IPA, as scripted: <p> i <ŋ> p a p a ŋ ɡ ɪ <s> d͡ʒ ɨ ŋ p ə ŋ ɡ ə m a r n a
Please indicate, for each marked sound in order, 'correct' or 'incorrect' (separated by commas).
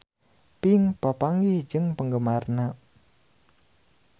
correct, correct, incorrect